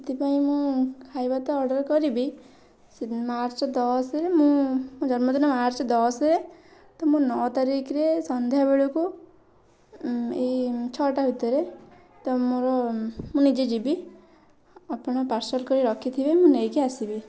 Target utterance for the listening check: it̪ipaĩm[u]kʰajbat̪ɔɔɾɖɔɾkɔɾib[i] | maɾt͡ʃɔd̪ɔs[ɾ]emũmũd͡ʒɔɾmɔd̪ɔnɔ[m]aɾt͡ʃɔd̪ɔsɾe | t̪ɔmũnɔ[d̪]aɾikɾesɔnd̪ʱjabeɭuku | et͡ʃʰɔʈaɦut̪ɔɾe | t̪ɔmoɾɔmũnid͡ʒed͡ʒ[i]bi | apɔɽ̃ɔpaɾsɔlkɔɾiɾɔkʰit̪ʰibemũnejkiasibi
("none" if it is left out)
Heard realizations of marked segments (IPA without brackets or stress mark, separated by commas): ũ, i, ɾ, m, t̪, i